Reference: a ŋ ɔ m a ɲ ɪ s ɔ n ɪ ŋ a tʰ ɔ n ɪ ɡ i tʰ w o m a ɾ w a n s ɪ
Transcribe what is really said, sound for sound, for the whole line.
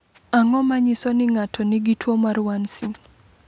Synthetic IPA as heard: a ŋ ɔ m a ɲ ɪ s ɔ n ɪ ŋ a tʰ ɔ n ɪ ɡ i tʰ w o m a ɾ w a n s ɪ